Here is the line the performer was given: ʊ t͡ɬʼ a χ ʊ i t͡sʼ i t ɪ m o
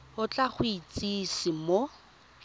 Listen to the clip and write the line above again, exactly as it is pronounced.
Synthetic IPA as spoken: ʊ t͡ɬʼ a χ ʊ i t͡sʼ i s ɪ m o